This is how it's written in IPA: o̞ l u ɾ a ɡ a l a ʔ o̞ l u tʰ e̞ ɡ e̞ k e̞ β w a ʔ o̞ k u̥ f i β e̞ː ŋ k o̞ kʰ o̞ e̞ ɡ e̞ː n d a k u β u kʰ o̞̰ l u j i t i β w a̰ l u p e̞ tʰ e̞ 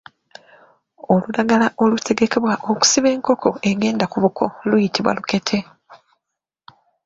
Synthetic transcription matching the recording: o̞ l u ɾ a ɡ a l a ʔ o̞ l u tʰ e̞ ɡ e̞ k e̞ β w a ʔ o̞ k u̥ s i β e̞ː ŋ k o̞ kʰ o̞ e̞ ɡ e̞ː n d a k u β u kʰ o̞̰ l u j i t i β w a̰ l u k e̞ tʰ e̞